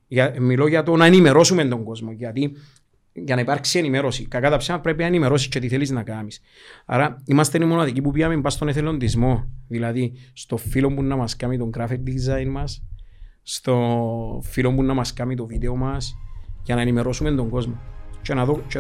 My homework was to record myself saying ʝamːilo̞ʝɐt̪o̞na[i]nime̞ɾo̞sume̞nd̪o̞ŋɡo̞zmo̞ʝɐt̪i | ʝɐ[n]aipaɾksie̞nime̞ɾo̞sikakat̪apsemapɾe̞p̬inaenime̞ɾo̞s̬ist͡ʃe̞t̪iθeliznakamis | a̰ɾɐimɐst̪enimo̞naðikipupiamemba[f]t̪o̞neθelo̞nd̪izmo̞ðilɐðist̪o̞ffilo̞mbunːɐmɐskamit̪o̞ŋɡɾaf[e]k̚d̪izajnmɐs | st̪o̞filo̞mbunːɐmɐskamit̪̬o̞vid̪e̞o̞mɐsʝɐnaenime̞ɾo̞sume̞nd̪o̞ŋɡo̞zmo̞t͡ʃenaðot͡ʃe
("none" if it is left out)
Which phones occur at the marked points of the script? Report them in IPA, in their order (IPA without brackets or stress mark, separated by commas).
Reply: e, n, s, i